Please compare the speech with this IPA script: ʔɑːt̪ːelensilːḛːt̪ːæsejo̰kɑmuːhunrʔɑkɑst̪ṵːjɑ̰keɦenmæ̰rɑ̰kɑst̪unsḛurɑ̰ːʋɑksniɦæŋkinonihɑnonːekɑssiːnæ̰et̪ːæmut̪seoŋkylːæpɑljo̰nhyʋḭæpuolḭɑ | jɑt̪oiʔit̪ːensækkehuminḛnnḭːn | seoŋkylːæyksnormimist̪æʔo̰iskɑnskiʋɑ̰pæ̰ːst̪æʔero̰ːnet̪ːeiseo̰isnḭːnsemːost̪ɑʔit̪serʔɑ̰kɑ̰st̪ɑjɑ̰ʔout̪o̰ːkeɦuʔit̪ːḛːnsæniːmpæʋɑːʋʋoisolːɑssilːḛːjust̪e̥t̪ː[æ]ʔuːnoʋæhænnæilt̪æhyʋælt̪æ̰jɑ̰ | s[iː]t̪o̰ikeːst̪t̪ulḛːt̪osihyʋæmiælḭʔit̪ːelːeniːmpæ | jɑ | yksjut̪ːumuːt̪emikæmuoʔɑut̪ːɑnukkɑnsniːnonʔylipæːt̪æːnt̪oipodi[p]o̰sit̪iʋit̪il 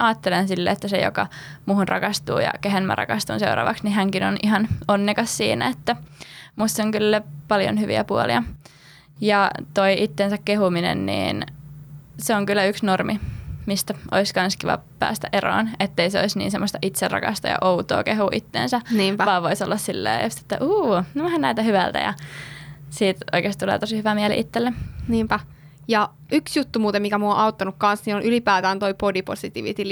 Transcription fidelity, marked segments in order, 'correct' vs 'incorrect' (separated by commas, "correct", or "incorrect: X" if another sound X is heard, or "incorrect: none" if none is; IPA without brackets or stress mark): correct, correct, correct